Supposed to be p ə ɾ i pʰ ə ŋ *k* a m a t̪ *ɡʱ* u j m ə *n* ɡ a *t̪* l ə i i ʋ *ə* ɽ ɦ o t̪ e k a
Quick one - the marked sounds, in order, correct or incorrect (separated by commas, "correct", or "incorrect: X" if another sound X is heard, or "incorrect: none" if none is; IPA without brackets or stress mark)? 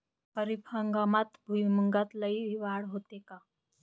incorrect: ɡ, incorrect: bʱ, incorrect: ŋ, correct, incorrect: a